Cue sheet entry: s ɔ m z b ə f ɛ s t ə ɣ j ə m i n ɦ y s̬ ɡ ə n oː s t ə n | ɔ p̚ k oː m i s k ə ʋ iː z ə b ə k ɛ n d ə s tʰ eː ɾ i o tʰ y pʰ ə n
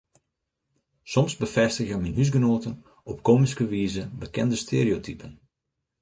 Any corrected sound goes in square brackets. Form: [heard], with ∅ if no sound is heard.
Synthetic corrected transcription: s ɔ m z b ə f ɛ s t ə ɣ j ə m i n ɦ y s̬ ɡ ə n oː [∅] t ə n | ɔ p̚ k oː m i s k ə ʋ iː z ə b ə k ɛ n d ə s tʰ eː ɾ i o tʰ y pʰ ə n